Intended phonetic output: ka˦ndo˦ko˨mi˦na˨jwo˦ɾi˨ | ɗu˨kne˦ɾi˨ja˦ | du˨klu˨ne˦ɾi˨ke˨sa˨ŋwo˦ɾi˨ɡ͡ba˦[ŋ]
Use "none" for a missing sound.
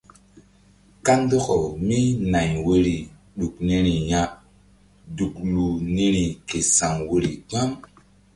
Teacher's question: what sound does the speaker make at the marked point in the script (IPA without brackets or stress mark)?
m